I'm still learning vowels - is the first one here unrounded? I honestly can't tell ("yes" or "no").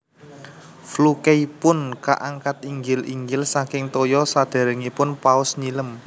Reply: no